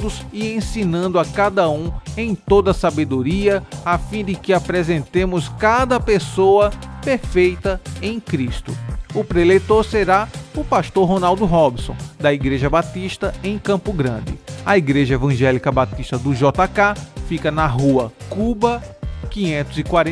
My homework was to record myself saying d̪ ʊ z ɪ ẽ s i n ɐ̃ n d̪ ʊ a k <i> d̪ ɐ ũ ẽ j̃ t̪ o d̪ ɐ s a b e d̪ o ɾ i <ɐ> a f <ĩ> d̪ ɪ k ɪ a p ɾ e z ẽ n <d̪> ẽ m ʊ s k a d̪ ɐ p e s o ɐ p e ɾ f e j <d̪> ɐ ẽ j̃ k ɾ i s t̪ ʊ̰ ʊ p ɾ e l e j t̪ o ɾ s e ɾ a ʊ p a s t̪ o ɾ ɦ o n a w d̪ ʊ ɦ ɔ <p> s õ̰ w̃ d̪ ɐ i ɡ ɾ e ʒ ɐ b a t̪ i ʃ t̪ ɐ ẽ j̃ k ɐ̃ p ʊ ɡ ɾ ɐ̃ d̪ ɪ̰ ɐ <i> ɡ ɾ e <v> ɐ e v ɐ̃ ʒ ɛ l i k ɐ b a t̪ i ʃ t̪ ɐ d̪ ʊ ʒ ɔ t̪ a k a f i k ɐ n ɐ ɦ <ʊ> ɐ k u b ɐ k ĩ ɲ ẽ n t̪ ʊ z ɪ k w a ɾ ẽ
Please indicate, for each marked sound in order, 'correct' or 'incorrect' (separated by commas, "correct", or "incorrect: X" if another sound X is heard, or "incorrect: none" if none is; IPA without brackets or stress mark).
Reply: incorrect: a, correct, correct, incorrect: t̪, incorrect: t̪, incorrect: b, correct, incorrect: ʒ, incorrect: u